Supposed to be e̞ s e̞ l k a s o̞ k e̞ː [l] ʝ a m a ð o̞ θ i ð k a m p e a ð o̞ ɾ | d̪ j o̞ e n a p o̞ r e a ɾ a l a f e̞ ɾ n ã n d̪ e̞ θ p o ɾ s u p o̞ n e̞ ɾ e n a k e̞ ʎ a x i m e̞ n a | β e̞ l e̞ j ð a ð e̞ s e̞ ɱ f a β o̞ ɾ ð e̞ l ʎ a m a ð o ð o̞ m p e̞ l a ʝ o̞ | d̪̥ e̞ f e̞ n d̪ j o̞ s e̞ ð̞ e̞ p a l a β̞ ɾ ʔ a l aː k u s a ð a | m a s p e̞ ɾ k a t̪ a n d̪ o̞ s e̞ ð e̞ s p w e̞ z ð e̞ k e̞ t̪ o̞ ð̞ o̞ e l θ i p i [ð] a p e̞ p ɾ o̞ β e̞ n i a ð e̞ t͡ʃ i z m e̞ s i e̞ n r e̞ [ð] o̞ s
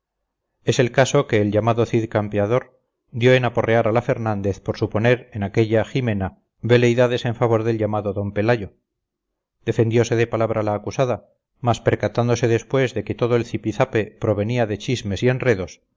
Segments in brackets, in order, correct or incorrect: correct, incorrect, correct

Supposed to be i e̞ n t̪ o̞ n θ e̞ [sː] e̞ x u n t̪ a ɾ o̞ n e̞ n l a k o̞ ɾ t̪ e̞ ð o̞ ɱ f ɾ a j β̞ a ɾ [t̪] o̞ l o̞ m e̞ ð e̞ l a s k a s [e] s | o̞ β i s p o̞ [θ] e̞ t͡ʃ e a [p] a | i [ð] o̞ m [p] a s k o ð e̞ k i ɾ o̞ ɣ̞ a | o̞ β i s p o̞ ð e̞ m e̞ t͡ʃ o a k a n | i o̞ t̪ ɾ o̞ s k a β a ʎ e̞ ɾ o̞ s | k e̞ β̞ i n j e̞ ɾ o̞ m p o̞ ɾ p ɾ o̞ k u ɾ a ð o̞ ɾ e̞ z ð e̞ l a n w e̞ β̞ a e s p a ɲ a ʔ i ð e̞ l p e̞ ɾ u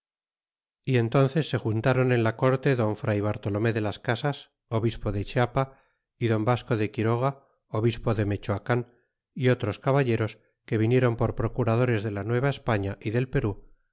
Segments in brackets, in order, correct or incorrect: correct, correct, incorrect, incorrect, correct, correct, incorrect

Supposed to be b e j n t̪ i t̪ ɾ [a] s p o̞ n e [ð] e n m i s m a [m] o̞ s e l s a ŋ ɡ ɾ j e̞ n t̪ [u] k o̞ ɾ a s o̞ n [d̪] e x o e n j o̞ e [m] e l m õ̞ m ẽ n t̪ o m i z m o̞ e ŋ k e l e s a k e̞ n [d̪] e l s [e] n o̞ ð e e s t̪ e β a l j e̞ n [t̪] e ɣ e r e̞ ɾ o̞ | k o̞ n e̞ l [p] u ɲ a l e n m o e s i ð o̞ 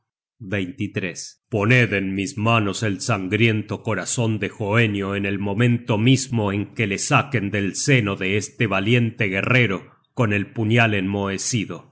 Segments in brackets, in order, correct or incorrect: incorrect, correct, incorrect, incorrect, correct, incorrect, correct, correct, correct, correct

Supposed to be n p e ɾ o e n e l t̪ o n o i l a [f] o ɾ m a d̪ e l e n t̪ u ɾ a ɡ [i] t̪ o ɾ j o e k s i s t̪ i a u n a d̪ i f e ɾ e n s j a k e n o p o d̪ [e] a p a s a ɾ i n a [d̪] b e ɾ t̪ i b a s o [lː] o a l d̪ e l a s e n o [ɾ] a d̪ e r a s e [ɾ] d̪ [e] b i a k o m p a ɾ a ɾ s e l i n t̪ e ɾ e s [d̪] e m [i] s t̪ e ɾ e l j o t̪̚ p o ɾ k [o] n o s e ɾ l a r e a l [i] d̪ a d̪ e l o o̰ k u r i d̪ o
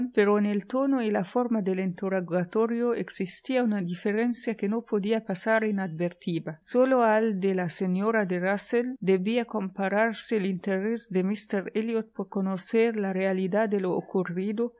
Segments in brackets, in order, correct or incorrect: correct, incorrect, incorrect, correct, incorrect, correct, incorrect, correct, correct, correct, correct, correct

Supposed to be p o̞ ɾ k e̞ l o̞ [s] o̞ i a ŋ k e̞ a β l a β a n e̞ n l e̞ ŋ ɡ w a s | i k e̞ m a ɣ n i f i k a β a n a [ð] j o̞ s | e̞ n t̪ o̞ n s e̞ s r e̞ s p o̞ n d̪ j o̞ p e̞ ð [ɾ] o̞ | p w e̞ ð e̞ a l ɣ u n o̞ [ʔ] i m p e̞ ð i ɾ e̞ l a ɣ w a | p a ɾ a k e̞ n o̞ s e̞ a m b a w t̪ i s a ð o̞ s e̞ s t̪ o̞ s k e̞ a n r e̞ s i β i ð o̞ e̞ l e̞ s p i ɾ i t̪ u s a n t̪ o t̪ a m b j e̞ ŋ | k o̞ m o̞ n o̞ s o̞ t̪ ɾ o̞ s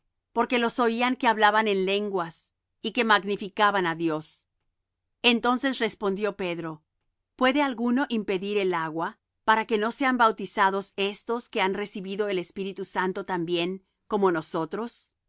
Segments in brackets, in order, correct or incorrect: correct, correct, correct, correct

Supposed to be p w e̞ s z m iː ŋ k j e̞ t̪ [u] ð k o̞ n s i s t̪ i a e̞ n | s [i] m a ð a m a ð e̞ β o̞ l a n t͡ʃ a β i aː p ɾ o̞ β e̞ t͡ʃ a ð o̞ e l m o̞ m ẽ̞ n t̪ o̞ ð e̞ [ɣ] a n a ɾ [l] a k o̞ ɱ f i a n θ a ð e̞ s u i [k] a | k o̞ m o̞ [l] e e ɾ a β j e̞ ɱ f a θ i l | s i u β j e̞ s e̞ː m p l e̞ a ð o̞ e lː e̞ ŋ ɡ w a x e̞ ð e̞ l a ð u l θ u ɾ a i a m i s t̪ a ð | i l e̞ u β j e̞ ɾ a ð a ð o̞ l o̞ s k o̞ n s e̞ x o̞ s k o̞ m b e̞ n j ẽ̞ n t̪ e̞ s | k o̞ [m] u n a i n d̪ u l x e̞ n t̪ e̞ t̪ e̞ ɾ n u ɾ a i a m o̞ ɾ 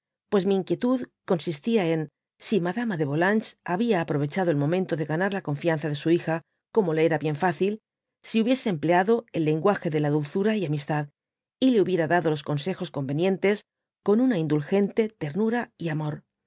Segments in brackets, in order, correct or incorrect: correct, correct, correct, correct, incorrect, correct, incorrect

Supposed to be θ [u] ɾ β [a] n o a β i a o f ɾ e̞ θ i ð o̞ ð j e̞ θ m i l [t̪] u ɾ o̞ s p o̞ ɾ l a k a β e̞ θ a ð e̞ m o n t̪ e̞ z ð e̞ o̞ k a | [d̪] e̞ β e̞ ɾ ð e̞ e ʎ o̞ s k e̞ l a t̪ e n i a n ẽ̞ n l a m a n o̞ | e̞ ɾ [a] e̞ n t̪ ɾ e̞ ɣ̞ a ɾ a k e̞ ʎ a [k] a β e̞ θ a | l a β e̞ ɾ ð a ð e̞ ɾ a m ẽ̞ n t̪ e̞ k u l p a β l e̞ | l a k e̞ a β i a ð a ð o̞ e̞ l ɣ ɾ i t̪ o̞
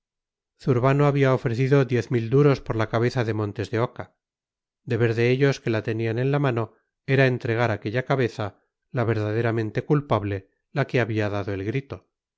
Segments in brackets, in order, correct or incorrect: correct, correct, incorrect, correct, correct, correct

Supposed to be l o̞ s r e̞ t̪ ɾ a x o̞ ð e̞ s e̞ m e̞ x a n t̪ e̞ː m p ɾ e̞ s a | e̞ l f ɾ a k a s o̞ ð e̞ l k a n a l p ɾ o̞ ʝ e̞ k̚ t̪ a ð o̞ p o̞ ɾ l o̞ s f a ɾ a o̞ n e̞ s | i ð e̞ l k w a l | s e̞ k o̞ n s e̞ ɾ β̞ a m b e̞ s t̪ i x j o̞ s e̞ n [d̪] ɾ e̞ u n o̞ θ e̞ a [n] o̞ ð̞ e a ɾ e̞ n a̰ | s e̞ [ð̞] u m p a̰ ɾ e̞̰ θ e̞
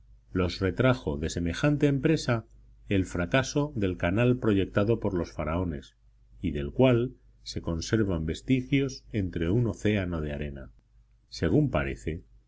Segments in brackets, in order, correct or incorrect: incorrect, correct, incorrect

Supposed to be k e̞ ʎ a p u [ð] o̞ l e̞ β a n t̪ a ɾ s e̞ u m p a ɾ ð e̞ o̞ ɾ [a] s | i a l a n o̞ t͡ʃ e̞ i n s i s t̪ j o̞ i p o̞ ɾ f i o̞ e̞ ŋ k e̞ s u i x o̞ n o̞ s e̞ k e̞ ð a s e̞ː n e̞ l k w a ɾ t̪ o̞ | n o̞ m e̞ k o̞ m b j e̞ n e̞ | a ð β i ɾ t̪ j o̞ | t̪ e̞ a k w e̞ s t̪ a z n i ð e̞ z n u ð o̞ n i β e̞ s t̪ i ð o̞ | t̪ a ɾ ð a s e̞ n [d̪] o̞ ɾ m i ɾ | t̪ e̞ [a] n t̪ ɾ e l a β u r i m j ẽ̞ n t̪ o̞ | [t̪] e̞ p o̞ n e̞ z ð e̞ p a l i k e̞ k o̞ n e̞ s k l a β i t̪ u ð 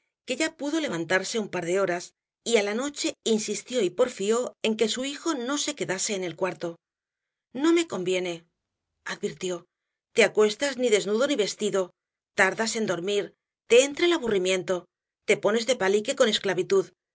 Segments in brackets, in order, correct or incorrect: correct, correct, correct, incorrect, correct

